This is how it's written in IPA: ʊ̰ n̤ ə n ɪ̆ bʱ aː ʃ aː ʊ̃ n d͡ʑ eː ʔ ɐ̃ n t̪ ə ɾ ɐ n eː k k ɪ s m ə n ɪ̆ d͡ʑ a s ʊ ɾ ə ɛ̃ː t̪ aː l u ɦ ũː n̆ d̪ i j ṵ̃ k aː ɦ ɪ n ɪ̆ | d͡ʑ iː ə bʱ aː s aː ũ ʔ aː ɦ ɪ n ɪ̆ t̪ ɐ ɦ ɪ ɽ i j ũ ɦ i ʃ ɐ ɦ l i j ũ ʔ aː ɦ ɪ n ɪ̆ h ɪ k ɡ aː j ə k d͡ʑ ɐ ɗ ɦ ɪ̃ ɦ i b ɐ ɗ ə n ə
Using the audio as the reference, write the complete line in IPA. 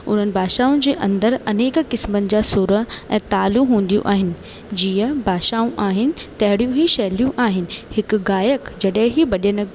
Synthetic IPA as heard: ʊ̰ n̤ ə n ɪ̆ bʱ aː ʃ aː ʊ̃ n d͡ʑ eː ʔ ɐ̃ n d̪ ə ɾ ɐ n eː k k ɪ s m ə n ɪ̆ d͡ʑ a s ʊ ɾ ə ɛ̃ː t̪ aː l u ɦ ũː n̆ d̪ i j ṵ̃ ʔ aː ɦ ɪ n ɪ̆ | d͡ʑ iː ə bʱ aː ʃ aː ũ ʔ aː ɦ ɪ n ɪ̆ t̪ ɐ ɦ ɪ ɽ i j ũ ɦ i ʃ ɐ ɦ l i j ũ ʔ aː ɦ ɪ n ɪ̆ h ɪ k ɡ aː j ə k d͡ʑ ɐ ɗ ɦ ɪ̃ ɦ i b ɐ ɗ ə n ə